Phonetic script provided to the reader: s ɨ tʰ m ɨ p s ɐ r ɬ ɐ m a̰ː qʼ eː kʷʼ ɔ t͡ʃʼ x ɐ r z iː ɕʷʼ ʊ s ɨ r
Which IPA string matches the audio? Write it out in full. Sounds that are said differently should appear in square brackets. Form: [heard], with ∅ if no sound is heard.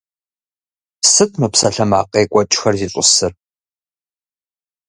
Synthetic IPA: s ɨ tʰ m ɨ p s ɐ [∅] ɬ ɐ m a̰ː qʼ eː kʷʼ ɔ t͡ʃʼ x ɐ r z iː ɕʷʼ ʊ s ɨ r